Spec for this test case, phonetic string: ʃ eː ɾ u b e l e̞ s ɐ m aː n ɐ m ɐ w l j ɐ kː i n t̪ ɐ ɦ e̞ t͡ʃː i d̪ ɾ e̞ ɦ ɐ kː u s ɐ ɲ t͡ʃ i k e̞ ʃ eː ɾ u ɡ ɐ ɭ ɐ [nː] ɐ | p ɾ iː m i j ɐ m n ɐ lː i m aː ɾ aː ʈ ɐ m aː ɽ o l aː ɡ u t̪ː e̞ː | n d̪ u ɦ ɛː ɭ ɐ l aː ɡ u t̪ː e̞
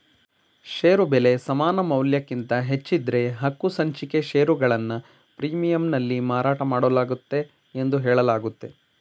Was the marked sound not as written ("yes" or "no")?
no